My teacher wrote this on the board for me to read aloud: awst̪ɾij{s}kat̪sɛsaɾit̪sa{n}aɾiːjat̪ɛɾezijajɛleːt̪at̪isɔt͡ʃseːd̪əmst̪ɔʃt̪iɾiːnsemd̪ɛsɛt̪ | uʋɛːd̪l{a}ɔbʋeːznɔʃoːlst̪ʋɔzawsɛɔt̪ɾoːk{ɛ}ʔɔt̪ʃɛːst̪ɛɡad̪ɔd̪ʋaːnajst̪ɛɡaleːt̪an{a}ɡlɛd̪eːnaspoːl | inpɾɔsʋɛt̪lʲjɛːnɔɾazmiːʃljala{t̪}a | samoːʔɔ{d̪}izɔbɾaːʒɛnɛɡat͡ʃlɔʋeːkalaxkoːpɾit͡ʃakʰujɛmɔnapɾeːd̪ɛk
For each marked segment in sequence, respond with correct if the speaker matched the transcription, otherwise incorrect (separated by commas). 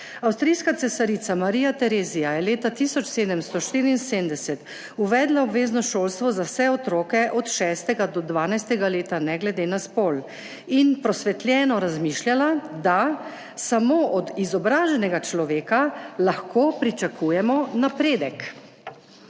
correct, incorrect, correct, correct, incorrect, incorrect, correct